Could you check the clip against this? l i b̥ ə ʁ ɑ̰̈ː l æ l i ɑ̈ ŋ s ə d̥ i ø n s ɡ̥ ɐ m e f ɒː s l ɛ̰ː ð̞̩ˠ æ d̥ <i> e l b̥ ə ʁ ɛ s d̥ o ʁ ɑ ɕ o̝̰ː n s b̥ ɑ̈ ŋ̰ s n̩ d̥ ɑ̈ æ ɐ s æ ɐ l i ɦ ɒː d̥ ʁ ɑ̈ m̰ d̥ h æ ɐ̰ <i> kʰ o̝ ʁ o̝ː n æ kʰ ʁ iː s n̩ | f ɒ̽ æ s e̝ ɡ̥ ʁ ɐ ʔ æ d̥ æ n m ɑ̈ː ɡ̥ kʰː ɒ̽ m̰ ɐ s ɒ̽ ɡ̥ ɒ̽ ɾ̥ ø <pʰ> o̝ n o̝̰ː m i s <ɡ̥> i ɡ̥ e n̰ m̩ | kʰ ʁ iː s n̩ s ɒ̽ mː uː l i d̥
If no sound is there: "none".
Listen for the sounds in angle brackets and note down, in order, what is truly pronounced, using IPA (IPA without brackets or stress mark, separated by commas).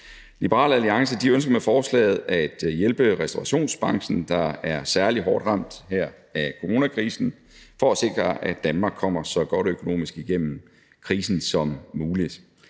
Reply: j, æ, kʰ, ɡ̥